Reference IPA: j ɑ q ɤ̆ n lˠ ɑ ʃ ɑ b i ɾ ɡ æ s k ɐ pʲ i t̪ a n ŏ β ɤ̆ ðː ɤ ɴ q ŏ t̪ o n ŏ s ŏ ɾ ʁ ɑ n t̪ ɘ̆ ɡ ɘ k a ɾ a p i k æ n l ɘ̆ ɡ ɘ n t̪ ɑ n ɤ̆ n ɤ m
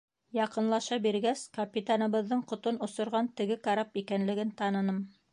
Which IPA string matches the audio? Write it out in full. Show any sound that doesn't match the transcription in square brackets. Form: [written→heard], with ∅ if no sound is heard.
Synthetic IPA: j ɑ q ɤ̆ n lˠ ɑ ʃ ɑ b i ɾ ɡ æ s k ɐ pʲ i t̪ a n [ŏ→ɤ̆] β ɤ̆ ðː ɤ ɴ q ŏ t̪ o n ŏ s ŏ ɾ ʁ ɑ n t̪ ɘ̆ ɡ ɘ k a ɾ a p i k æ n l ɘ̆ ɡ ɘ n t̪ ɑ n ɤ̆ n ɤ m